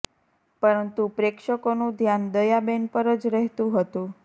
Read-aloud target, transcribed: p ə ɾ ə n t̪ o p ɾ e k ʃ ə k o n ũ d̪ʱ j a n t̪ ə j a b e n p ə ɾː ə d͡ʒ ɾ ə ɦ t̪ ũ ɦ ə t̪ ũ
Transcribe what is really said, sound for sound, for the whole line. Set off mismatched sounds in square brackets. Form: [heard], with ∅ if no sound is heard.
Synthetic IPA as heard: p ə ɾ ə n t̪ [u] p ɾ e k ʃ ə k o n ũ d̪ʱ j a n [d̪] ə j a b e n p ə [ɾ] ə d͡ʒ ɾ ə ɦ t̪ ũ ɦ ə t̪ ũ